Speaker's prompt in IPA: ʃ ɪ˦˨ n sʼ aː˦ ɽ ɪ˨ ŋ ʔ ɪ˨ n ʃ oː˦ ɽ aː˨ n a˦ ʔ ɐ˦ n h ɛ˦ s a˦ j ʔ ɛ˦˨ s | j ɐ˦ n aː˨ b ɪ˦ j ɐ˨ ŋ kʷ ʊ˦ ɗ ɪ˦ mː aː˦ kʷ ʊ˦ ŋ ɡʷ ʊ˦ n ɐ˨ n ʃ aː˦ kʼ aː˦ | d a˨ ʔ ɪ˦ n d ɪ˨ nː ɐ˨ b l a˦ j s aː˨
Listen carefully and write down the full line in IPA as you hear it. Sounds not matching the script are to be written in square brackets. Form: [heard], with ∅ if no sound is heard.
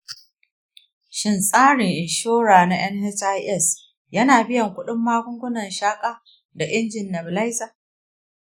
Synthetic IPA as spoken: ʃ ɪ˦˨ n sʼ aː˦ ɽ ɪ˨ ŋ ʔ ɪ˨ n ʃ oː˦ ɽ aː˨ n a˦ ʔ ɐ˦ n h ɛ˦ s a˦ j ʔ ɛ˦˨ s | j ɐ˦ n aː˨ b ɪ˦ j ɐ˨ ŋ kʷ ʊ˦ ɗ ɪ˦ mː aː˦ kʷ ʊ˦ ŋ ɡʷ ʊ˦ n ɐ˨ n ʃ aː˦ kʼ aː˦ | d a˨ ʔ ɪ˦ n [d͡ʒ] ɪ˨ nː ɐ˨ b l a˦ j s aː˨

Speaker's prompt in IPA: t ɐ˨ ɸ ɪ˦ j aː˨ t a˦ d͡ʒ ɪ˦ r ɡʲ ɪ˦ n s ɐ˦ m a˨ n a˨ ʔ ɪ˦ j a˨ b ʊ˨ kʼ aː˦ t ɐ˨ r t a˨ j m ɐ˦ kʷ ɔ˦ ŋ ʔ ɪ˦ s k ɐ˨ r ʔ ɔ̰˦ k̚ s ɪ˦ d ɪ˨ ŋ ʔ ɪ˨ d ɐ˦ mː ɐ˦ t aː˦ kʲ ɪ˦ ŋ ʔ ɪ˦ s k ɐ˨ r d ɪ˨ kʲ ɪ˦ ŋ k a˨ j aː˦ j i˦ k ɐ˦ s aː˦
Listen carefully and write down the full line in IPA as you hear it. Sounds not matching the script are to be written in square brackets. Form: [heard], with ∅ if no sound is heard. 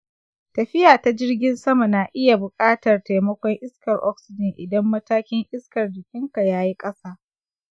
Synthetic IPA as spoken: t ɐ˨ ɸ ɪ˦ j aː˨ t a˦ d͡ʒ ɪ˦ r ɡʲ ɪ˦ n s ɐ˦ m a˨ n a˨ ʔ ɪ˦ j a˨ b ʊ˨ kʼ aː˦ t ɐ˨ r t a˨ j m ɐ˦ kʷ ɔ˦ ŋ ʔ ɪ˦ s k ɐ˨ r ʔ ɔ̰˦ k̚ s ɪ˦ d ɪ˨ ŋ ʔ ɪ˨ d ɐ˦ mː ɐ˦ t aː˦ kʲ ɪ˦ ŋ ʔ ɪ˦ s k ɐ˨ r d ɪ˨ kʲ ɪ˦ ŋ k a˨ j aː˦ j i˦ [kʼ] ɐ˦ s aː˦

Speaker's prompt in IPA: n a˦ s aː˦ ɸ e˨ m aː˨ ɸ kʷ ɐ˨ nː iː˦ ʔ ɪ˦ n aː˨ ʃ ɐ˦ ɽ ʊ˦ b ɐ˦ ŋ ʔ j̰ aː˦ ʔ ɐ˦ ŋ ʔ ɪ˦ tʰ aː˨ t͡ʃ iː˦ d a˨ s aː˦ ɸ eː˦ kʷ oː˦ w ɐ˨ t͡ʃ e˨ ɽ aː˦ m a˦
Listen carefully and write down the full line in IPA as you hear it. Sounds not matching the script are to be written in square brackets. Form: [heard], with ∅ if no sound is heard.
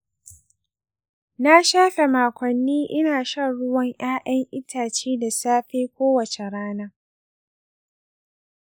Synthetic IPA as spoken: n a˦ [ʃ] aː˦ ɸ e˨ m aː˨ [∅] kʷ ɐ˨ nː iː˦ ʔ ɪ˦ n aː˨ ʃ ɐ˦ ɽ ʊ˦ [w] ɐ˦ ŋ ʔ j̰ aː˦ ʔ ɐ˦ ŋ ʔ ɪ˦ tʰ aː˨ t͡ʃ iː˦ d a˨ s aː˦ ɸ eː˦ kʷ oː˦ w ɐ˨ t͡ʃ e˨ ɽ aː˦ [n] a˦

